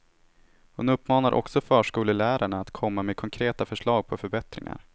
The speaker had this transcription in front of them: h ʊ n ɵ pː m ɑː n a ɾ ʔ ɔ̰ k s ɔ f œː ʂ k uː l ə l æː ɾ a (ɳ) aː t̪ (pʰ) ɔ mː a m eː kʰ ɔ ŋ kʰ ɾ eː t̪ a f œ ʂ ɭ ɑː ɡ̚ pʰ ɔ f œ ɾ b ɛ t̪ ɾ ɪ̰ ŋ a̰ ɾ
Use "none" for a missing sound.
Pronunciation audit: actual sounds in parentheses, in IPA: ɳ, kʰ

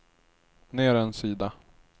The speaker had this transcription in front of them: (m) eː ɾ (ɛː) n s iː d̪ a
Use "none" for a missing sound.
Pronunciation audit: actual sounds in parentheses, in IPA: n, ɛ

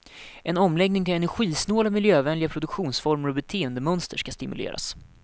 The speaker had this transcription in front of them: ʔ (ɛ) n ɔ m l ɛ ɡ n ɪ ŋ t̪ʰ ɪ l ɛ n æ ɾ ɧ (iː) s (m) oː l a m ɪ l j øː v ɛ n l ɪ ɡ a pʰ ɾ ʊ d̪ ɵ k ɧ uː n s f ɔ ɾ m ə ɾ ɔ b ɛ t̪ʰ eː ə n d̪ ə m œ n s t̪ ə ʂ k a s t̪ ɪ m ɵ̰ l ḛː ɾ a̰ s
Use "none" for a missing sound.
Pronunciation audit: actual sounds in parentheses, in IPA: ɛ, iː, n

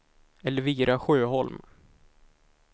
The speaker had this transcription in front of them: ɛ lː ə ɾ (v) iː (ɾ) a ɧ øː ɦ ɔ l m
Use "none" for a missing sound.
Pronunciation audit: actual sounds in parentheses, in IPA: v, ɾ

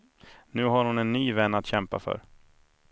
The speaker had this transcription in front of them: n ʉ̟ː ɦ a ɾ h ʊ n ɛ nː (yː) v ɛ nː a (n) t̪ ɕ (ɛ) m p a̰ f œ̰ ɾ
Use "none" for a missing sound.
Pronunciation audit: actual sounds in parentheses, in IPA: yː, none, ɛ

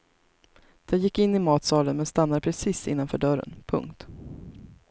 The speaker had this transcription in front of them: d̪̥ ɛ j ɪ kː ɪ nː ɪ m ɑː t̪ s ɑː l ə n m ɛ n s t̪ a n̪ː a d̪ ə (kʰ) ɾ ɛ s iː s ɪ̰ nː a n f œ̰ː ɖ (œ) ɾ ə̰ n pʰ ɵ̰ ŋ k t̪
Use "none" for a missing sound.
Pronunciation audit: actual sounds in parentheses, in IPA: pʰ, œ

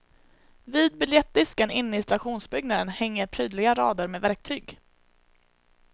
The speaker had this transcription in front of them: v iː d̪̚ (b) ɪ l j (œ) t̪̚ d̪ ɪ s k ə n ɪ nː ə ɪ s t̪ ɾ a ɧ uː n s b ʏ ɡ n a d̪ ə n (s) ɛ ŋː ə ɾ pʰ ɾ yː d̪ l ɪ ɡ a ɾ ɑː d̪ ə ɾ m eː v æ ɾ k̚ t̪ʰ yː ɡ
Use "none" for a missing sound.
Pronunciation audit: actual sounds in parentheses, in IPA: b, ɛ, h

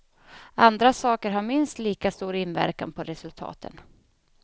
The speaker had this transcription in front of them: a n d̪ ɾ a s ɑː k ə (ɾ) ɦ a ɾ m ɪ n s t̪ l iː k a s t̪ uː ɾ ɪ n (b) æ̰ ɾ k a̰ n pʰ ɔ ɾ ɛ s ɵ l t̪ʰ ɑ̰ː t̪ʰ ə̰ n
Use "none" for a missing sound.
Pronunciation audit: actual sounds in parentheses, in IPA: ɾ, v

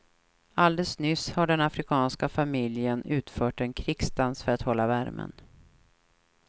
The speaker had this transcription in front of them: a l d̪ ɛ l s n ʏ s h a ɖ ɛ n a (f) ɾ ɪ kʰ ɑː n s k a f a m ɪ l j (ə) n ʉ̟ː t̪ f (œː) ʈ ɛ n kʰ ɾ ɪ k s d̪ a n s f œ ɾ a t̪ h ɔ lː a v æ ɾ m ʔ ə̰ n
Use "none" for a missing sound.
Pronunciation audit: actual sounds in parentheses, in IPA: f, ə, œː

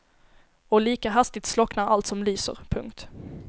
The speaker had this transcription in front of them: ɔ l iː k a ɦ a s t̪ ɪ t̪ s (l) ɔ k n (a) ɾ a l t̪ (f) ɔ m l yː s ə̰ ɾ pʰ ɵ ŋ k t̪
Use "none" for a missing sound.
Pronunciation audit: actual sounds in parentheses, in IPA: l, a, s

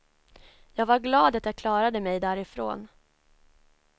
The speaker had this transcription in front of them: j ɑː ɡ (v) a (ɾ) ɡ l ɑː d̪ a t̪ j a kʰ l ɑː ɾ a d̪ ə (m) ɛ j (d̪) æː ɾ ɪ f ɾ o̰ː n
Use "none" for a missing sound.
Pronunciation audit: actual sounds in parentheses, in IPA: v, ɾ, m, d̪

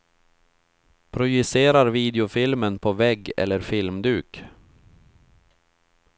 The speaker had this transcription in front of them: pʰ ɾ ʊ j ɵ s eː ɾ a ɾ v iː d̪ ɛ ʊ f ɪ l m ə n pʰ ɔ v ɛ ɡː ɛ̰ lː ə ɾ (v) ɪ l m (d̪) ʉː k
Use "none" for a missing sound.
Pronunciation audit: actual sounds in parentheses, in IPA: f, d̪

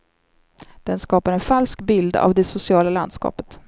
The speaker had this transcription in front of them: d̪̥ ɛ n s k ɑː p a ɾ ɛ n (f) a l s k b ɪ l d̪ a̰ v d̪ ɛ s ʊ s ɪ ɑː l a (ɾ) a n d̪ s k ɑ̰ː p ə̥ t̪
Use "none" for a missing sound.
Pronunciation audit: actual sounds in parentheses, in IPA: f, l

